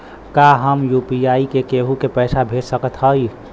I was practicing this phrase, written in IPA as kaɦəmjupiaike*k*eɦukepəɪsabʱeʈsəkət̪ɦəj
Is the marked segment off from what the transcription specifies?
no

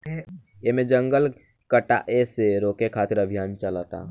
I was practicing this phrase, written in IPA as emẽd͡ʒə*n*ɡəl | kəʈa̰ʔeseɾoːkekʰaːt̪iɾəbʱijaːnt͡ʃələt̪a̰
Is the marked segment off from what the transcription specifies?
yes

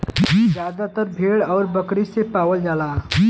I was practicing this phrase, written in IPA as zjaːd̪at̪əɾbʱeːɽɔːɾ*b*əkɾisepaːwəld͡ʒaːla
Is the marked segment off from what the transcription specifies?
no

